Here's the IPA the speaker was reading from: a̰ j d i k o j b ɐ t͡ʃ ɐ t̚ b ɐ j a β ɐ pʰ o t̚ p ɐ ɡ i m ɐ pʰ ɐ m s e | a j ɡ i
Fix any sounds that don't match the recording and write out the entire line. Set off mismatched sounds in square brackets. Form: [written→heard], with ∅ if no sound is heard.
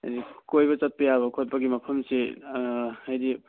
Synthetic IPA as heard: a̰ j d i k o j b ɐ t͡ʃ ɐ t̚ [b→p] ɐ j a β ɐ [pʰ→kʰ] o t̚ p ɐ ɡ i m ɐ pʰ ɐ m s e | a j [ɡ→d] i

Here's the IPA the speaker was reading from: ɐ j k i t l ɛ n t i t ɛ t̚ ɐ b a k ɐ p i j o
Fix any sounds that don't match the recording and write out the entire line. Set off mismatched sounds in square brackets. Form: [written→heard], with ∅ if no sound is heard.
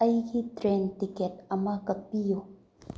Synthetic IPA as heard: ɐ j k i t [l→ɾ] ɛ n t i [t→k] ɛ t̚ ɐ [b→m] a k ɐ p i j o

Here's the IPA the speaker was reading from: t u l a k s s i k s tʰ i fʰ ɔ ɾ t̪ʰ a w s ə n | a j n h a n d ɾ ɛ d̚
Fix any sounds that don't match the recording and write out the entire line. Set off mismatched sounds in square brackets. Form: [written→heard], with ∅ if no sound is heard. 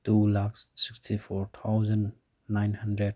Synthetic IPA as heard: t u l a k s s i k s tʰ i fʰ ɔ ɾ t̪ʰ a w [s→z] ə [n→nː] | a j n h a n d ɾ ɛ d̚

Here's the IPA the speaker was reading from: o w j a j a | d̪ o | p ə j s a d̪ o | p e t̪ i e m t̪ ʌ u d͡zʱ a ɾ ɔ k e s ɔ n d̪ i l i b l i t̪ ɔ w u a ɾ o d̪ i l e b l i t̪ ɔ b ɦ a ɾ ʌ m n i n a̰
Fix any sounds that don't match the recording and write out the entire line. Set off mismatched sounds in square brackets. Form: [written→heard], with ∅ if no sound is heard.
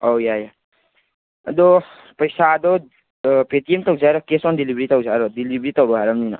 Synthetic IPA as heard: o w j a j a | d̪ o | p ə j s a d̪ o | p e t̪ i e m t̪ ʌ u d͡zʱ a ɾ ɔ k e s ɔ n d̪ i l i b [l→ɾ] i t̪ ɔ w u a ɾ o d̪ i l [e→i] b [l→ɾ] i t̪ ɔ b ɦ a ɾ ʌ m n i n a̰

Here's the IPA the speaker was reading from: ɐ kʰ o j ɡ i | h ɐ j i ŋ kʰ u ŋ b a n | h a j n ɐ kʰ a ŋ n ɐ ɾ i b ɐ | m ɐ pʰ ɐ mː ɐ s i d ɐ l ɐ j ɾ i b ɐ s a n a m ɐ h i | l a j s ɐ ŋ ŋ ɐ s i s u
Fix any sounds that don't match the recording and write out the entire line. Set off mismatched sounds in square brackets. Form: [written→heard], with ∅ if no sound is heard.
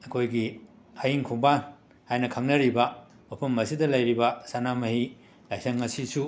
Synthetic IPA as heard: ɐ kʰ o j ɡ i | h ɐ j i ŋ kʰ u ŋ b a n | h a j n ɐ kʰ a ŋ n ɐ ɾ i b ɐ | m ɐ pʰ ɐ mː ɐ s i d ɐ l ɐ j ɾ i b ɐ s a n a m ɐ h i | l a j s ɐ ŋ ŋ ɐ s i s u

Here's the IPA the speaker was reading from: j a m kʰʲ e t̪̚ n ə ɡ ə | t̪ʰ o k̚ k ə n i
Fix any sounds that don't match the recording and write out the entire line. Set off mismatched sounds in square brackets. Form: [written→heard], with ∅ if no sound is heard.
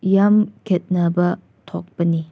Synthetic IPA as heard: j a m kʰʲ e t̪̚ n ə [ɡ→b] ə | t̪ʰ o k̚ [k→p] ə n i

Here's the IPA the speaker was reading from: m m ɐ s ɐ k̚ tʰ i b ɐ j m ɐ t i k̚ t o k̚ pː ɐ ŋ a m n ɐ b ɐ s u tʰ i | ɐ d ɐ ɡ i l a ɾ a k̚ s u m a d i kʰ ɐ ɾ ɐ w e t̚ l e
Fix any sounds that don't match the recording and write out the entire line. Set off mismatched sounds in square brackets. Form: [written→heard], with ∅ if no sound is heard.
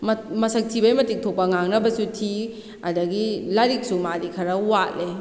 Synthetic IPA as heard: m m ɐ s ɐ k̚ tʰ i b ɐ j m ɐ t i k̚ [t→tʰ] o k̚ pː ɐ ŋ a [m→ŋ] n ɐ b ɐ s u tʰ i | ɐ d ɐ ɡ i l a ɾ [a→i] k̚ s u m a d i kʰ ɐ ɾ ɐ w [e→a] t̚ l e

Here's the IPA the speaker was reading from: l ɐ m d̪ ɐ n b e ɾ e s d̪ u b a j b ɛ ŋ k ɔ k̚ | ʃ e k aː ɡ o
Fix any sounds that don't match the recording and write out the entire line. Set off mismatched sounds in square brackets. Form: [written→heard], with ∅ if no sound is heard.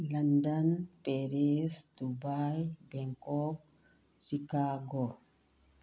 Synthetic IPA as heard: l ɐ [m→n] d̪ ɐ n [b→p] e ɾ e s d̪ u b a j b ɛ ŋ k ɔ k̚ | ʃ [e→i] k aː ɡ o

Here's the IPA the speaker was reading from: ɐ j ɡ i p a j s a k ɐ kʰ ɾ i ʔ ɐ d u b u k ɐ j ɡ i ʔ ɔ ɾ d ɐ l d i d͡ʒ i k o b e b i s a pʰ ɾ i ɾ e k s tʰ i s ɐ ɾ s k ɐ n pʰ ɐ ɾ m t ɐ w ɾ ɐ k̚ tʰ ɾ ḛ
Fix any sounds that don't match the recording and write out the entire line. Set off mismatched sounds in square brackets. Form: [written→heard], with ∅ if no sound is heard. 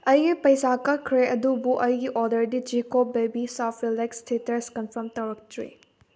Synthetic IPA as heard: ɐ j ɡ i p [a→ɐ] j s a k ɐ kʰ ɾ [i→e] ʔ ɐ d u b u [k→ʔ] ɐ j ɡ i ʔ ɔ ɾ d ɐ [l→ɾ] d i d͡ʒ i k o b e b i s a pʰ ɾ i [ɾ→l] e k s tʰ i [s→t] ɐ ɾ s k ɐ n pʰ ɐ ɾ m t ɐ w ɾ ɐ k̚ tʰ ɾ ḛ

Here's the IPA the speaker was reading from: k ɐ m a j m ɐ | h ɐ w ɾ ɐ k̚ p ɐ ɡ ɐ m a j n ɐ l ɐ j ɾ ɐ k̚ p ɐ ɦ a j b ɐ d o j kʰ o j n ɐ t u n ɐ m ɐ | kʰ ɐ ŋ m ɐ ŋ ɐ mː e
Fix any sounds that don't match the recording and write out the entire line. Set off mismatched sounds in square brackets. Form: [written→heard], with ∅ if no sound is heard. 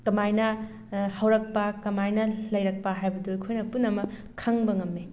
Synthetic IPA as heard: k ɐ m a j [m→n] ɐ | h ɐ w ɾ ɐ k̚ p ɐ [ɡ→k] ɐ m a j n ɐ l ɐ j ɾ ɐ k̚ p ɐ ɦ a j b ɐ d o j kʰ o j n ɐ [t→p] u n ɐ m ɐ | kʰ ɐ ŋ [m→b] ɐ ŋ ɐ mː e

